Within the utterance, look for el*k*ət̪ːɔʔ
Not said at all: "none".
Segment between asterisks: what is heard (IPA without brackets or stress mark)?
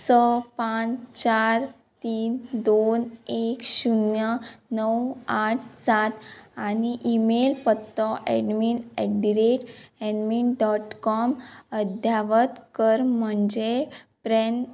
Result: p